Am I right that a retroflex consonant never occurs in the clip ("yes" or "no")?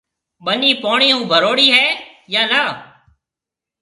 no